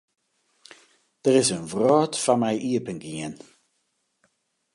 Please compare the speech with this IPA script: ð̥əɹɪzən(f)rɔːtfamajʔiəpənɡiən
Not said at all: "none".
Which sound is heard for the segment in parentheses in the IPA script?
v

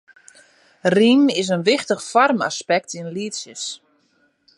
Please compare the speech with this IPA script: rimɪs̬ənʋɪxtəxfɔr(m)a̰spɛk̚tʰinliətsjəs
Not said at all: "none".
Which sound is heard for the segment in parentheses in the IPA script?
m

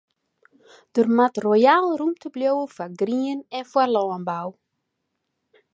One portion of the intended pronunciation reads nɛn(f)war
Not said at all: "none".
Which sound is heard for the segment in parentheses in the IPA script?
f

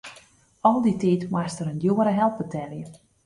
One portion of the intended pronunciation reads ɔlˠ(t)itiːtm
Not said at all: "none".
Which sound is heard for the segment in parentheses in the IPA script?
d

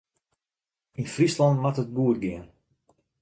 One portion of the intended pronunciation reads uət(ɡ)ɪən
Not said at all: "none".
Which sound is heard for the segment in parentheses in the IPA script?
ɡ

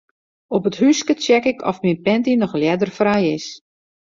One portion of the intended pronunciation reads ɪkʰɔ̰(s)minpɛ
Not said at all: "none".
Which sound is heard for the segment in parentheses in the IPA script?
f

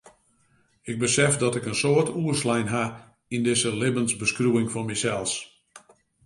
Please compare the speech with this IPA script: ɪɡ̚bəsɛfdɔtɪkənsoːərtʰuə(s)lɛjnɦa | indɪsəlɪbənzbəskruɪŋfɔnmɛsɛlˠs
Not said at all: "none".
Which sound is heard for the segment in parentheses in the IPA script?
s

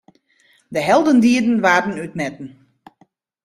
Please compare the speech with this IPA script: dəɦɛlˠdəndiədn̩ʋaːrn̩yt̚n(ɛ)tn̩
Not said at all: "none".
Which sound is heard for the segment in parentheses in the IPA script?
ɛ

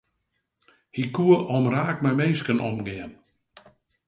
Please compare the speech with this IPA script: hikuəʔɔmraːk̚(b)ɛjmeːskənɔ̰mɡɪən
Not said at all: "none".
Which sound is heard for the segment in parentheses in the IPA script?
m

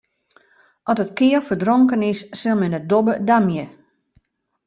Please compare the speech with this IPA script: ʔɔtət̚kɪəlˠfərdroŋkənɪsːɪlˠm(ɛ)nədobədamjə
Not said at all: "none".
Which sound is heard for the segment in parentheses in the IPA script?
ɛ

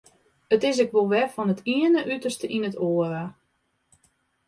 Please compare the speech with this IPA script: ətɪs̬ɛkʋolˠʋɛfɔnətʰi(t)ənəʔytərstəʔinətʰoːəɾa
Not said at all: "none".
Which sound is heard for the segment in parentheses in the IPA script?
none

